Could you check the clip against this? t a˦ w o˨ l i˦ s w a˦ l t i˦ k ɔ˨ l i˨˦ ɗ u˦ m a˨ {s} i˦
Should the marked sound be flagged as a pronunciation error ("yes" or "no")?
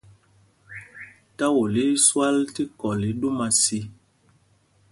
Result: no